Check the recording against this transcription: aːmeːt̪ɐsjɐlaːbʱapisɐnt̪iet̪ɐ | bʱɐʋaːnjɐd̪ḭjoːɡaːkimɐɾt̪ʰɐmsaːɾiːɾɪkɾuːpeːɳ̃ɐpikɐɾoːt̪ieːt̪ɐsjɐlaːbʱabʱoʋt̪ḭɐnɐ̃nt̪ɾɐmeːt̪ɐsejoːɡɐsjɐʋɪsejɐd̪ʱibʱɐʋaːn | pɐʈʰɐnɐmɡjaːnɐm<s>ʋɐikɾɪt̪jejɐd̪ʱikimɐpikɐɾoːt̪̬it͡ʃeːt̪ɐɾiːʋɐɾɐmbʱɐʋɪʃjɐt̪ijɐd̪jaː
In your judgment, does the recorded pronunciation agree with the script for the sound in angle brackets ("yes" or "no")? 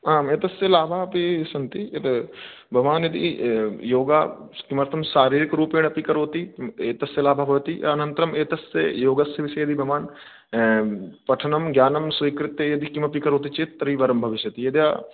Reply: yes